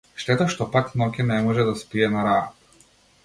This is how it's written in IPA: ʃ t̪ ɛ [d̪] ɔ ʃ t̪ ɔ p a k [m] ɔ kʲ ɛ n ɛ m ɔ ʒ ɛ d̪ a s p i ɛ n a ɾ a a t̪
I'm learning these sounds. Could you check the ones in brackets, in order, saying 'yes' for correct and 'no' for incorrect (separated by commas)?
no, no